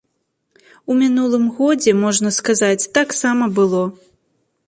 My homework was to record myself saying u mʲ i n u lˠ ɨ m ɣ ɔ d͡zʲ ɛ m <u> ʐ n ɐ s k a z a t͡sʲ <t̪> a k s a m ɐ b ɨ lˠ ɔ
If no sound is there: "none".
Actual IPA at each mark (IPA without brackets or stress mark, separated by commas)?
ɔ, t̪